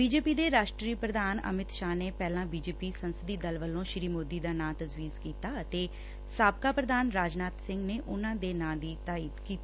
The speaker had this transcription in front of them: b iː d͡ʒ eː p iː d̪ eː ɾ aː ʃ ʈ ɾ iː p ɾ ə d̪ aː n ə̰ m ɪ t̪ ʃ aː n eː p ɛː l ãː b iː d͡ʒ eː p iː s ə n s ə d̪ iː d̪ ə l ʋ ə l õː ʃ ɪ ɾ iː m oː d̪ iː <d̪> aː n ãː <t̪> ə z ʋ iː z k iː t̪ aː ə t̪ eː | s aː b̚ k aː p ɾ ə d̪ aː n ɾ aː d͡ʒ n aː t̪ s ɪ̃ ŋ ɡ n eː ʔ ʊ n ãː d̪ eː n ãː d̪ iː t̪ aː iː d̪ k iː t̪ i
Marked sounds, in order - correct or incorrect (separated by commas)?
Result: correct, correct